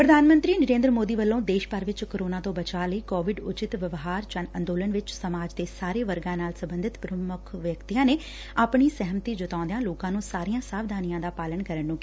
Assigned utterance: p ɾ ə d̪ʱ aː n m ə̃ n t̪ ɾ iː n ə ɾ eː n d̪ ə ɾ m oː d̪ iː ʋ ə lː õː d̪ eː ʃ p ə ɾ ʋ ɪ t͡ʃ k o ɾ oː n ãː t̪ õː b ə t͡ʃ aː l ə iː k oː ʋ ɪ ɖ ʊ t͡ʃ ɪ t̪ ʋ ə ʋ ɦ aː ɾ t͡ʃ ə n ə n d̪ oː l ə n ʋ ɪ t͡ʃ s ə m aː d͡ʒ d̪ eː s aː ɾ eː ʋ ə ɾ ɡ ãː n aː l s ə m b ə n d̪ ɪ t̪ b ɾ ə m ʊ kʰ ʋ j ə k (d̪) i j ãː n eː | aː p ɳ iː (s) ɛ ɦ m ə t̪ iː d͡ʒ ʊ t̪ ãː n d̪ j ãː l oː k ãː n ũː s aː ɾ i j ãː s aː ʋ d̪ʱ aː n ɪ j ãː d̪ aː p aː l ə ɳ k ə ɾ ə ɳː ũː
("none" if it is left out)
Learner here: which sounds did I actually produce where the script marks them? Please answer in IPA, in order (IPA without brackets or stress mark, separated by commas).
t̪, s